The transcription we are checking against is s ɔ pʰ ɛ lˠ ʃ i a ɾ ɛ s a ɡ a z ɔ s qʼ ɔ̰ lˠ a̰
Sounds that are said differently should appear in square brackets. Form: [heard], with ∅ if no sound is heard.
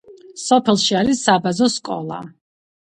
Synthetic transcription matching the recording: s ɔ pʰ ɛ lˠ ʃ i a ɾ [i] s a [b] a z ɔ s [kʼ] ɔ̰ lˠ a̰